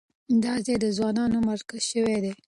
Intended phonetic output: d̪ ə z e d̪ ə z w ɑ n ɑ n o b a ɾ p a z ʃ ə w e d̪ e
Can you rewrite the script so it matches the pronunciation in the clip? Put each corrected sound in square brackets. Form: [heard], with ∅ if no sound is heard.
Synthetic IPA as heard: d̪ [ɑ] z e d̪ ə z w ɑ n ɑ n o [m] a ɾ [k] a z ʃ ə w e d̪ e